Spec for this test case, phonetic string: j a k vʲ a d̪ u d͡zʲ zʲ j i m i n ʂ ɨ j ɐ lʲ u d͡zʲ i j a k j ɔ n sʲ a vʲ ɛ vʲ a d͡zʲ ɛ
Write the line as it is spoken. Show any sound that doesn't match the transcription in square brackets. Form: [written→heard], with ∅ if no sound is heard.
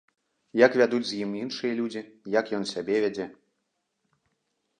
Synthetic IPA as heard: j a k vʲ a d̪ u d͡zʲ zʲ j i m i n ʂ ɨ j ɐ lʲ u d͡zʲ i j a k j ɔ n sʲ a [vʲ→bʲ] ɛ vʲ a d͡zʲ ɛ

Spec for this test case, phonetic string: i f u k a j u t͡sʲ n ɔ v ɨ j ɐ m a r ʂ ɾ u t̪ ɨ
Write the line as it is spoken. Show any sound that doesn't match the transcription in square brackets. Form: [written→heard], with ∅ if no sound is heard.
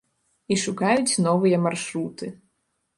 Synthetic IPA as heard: i [f→ʂ] u k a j u t͡sʲ n ɔ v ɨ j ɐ m a r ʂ ɾ u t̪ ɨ

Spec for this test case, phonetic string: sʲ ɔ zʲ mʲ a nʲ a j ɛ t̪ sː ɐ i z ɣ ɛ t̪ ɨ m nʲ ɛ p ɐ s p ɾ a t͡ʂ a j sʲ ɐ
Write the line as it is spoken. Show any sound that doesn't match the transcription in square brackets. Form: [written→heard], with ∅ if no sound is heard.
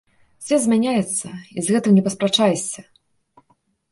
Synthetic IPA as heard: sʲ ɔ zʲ mʲ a nʲ a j ɛ t̪ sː ɐ i z ɣ ɛ t̪ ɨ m nʲ ɛ p ɐ s p ɾ a t͡ʂ a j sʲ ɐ

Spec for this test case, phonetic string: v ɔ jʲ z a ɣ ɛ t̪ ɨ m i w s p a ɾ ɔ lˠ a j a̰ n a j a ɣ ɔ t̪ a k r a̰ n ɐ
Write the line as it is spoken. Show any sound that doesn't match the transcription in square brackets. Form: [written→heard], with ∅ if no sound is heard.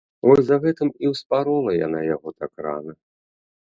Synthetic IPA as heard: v ɔ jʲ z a ɣ ɛ t̪ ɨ m i w s p a ɾ ɔ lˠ [a→ɐ] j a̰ n a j a ɣ ɔ t̪ a k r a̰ n ɐ

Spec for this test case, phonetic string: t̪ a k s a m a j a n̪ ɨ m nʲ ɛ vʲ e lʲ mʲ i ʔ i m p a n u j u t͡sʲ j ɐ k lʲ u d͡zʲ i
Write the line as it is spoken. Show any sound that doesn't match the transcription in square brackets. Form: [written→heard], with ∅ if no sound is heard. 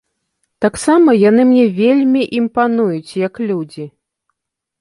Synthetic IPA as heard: t̪ a k s a m [a→ɐ] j a n̪ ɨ m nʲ ɛ vʲ e lʲ mʲ i ʔ i m p a n u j u t͡sʲ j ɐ k lʲ u d͡zʲ i

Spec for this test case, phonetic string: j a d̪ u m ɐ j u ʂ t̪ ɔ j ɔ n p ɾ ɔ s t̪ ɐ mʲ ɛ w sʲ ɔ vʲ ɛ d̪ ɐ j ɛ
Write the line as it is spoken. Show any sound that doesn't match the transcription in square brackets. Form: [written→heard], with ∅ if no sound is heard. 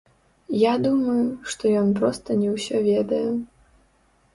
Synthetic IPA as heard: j a d̪ u m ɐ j u ʂ t̪ ɔ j ɔ n p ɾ ɔ s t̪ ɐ [mʲ→nʲ] ɛ w sʲ ɔ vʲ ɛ d̪ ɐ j ɛ

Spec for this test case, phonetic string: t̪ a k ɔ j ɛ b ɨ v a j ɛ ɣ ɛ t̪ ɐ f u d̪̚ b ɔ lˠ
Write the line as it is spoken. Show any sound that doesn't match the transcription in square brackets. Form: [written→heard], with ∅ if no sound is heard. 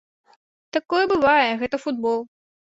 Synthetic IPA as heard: t̪ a k ɔ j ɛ b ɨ v a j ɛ ɣ ɛ t̪ ɐ f u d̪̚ b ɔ lˠ

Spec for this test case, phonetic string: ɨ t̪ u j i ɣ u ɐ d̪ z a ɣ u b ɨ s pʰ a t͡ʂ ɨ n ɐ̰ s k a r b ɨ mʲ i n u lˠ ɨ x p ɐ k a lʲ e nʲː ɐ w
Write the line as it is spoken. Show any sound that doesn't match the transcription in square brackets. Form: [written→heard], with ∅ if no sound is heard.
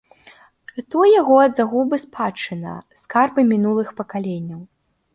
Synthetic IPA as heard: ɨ t̪ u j [i→a] ɣ [u→ɔ] ɐ d̪ z a ɣ u b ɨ s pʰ a t͡ʂ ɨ n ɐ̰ s k a r b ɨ mʲ i n u lˠ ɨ x p ɐ k a lʲ e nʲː ɐ w

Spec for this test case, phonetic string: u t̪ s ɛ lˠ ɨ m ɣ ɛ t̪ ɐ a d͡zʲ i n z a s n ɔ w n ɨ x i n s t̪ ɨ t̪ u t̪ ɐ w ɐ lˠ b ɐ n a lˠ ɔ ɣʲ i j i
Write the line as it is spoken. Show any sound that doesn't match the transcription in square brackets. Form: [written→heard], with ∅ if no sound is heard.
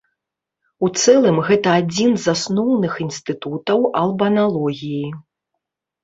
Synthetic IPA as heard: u t̪ s ɛ lˠ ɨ m ɣ ɛ t̪ ɐ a d͡zʲ i n z a s n ɔ w n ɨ x i n s t̪ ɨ t̪ u t̪ ɐ w ɐ lˠ b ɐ n a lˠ ɔ ɣʲ i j i

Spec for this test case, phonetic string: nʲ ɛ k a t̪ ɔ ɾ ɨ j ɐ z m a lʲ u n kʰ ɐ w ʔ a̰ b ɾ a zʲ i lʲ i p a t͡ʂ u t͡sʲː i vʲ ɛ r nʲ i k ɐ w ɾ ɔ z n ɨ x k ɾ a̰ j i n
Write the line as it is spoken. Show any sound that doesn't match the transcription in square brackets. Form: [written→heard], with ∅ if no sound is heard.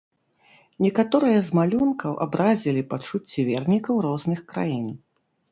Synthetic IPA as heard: nʲ ɛ k a t̪ ɔ ɾ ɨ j ɐ z m a lʲ u n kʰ ɐ w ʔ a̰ b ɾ a zʲ i lʲ i p a t͡ʂ u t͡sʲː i vʲ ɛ r nʲ i k ɐ w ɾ ɔ z n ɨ x k ɾ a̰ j i n

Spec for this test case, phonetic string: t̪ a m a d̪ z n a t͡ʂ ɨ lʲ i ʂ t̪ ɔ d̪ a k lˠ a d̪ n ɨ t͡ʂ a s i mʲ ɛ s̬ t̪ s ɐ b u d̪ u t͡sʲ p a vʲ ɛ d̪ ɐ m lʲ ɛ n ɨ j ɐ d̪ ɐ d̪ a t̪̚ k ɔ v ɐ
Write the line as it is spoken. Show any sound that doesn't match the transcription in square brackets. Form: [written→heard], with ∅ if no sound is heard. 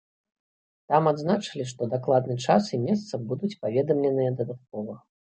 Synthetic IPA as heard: t̪ a m a d̪ z n a t͡ʂ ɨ lʲ i ʂ t̪ ɔ d̪ a k lˠ a d̪ n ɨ t͡ʂ a s i mʲ ɛ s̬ t̪ s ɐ b u d̪ u t͡sʲ p a vʲ ɛ d̪ ɐ m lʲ ɛ n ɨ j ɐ d̪ ɐ d̪ a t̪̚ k ɔ v ɐ

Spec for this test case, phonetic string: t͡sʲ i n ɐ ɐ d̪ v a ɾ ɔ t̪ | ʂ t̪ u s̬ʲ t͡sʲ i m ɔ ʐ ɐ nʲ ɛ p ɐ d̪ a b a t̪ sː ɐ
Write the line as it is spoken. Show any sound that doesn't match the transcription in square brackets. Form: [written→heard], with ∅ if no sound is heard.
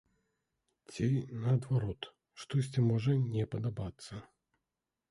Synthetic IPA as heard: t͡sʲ i n ɐ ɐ d̪ v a ɾ ɔ t̪ | ʂ t̪ [u→ɔ] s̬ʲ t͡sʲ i m ɔ ʐ ɐ nʲ ɛ p ɐ d̪ a b a t̪ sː ɐ

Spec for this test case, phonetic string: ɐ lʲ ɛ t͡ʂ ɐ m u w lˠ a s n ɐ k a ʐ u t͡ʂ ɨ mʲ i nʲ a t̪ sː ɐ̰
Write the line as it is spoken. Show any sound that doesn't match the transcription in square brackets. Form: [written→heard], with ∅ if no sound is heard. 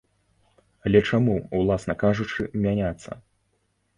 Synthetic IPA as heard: ɐ lʲ ɛ t͡ʂ [ɐ→a] m u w lˠ a s n ɐ k a ʐ u t͡ʂ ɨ mʲ [i→a] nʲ a t̪ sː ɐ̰

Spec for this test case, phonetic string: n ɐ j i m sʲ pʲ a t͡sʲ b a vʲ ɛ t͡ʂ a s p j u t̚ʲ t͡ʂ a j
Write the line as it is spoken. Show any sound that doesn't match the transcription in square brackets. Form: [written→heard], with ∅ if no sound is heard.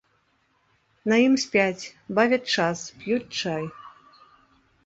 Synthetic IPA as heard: n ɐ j i m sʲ pʲ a t͡sʲ b a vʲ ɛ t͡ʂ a s p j u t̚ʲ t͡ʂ a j

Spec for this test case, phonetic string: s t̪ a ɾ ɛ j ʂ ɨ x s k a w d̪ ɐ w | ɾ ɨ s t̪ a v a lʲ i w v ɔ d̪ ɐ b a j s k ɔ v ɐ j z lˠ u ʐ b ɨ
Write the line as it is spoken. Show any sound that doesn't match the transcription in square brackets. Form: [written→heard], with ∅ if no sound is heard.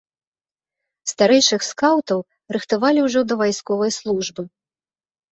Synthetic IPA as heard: s t̪ a ɾ ɛ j ʂ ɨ x s k a w [d̪→t̪] ɐ w | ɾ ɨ [s→x] t̪ a v a lʲ i w [v→ʐ] ɔ d̪ ɐ [b→v] a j s k ɔ v ɐ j [z→s] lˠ u ʐ b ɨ

